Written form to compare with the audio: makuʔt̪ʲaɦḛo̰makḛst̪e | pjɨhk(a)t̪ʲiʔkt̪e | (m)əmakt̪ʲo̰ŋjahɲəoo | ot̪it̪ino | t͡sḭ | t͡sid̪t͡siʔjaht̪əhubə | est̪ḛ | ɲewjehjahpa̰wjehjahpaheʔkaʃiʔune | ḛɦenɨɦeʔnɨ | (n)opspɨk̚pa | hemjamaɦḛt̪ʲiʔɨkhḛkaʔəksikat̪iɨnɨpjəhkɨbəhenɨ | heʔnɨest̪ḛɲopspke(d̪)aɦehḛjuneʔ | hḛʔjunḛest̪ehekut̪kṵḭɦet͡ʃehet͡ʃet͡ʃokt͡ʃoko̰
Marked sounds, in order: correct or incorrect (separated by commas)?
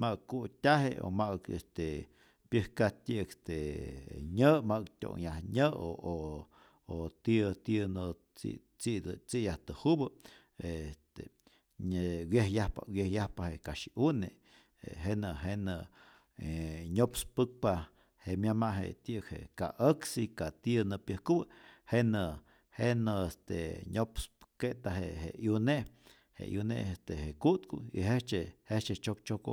correct, incorrect, incorrect, incorrect